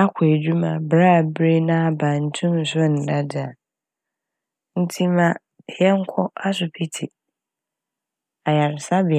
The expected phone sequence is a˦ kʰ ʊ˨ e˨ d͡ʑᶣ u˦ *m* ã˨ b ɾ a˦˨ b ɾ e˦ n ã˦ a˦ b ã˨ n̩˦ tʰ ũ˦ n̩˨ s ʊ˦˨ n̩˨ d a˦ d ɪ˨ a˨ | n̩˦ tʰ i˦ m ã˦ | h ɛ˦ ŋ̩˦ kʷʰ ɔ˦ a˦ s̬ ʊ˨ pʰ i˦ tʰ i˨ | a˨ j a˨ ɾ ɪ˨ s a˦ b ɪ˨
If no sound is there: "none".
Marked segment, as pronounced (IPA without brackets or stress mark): m